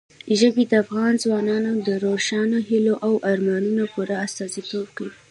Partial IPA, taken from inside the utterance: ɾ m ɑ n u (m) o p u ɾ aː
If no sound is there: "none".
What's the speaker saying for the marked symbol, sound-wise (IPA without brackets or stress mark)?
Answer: n